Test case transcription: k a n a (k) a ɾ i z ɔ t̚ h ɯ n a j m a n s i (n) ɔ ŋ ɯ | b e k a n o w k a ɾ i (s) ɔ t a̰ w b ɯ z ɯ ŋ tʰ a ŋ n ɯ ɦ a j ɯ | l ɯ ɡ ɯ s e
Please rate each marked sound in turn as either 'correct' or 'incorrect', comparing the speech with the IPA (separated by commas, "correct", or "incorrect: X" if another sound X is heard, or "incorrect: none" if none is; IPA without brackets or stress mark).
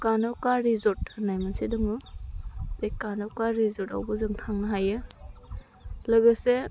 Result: correct, incorrect: d, incorrect: z